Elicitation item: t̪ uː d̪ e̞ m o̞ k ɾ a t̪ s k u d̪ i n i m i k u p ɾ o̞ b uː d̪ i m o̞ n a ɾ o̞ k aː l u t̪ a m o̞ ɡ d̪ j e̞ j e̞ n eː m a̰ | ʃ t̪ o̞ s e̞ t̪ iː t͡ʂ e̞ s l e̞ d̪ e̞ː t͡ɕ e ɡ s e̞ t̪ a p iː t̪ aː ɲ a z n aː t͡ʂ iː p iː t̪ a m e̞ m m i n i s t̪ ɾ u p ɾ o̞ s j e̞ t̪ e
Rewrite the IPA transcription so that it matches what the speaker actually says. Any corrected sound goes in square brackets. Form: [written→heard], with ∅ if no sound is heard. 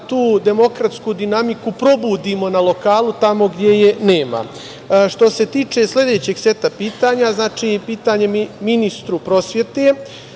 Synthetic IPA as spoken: t̪ uː d̪ e̞ m o̞ k ɾ a t̪ s k u d̪ i n [i→a] m i k u p ɾ o̞ b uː d̪ i m o̞ n a [ɾ→l] o̞ k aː l u t̪ a m o̞ ɡ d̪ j e̞ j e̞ n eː m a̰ | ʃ t̪ o̞ s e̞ t̪ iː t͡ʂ e̞ s l e̞ d̪ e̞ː t͡ɕ e ɡ s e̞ t̪ a p iː t̪ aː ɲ a z n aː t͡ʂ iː p iː t̪ a [m→ɲ] e̞ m m i n i s t̪ ɾ u p ɾ o̞ s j e̞ t̪ e